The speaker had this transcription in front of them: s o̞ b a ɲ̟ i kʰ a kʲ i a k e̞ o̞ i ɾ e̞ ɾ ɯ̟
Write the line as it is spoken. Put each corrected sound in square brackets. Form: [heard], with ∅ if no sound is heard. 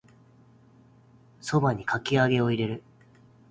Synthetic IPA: s o̞ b a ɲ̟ i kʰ a kʲ i a [ɡ] e̞ o̞ i ɾ e̞ ɾ ɯ̟